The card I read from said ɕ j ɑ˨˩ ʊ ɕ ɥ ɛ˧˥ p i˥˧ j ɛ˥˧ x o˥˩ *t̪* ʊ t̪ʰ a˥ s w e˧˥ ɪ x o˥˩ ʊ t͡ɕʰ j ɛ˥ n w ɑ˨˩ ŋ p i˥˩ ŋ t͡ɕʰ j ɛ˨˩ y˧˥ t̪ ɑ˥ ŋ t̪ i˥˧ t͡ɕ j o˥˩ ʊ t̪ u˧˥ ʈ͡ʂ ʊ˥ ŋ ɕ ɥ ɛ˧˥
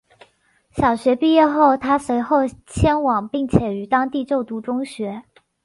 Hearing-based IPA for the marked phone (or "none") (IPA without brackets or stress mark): none